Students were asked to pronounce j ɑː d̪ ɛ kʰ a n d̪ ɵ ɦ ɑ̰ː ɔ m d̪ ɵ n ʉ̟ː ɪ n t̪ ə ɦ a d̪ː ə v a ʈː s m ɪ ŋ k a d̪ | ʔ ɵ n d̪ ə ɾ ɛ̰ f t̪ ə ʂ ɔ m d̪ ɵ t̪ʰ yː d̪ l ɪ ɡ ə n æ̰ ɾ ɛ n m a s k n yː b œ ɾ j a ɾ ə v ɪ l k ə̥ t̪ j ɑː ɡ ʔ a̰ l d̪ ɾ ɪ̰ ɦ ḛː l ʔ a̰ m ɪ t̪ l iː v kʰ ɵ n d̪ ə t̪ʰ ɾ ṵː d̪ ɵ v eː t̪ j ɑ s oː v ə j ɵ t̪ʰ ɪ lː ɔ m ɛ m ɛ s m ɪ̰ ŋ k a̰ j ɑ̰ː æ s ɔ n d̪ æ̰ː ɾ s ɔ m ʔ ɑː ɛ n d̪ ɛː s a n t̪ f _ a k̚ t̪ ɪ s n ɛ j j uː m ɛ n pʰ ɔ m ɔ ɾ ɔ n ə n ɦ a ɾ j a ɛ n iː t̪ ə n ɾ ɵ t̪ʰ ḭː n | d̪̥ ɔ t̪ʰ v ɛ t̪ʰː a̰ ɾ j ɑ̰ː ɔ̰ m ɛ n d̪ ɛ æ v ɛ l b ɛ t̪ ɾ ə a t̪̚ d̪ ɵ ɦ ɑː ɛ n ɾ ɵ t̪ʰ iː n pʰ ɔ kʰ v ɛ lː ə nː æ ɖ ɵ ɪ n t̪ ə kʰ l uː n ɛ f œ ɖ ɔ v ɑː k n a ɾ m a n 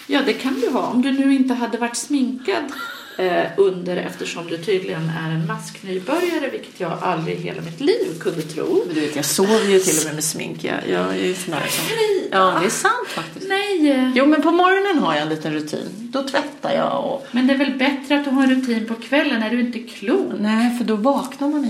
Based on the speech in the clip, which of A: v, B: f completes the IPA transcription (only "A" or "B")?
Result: B